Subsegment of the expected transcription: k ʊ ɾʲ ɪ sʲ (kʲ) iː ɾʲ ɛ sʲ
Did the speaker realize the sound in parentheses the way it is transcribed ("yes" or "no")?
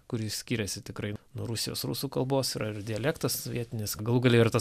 yes